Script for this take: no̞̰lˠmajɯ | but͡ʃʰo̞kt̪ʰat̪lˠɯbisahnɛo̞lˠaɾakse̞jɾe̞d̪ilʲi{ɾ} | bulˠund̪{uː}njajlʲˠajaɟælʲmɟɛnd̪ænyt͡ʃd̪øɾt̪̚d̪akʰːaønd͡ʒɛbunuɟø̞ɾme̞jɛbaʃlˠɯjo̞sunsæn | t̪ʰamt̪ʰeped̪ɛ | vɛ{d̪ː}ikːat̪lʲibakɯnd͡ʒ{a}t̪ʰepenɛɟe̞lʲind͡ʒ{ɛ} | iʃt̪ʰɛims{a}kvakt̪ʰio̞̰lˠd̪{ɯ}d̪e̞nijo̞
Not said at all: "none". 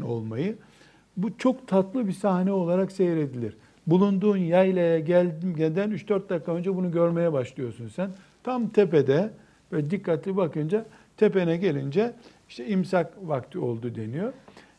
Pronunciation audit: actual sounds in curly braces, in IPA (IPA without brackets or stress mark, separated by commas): ɾ, uː, d̪, a, ɛ, a, u